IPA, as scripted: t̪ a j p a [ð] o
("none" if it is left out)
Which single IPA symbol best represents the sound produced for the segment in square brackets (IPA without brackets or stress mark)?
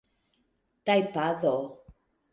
ð